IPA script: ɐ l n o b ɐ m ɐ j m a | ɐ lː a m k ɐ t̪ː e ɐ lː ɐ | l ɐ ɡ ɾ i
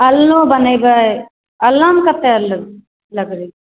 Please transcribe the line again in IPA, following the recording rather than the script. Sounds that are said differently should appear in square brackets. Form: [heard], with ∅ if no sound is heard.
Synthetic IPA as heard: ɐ l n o b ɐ [n] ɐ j [b] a | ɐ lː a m k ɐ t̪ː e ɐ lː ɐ | l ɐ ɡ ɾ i